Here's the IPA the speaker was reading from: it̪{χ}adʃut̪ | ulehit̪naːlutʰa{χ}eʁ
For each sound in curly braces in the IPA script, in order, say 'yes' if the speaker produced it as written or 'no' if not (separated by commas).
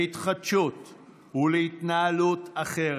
yes, yes